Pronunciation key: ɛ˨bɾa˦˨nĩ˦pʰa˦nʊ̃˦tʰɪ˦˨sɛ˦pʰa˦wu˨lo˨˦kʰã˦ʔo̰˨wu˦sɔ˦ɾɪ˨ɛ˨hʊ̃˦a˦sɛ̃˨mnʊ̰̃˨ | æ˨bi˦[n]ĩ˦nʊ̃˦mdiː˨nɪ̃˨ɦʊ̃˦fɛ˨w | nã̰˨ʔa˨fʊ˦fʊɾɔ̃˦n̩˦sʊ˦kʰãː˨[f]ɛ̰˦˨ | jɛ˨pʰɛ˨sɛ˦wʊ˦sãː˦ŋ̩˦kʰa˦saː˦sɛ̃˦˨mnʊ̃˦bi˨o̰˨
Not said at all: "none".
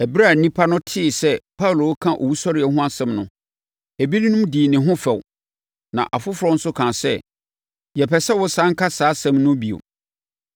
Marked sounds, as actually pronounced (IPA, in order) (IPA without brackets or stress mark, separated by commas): n, s